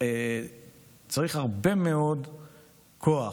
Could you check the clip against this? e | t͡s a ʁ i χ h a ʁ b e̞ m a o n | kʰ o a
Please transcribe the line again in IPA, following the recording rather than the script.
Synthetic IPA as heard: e | t͡s a ʁ i χ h a ʁ b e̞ m e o d | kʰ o a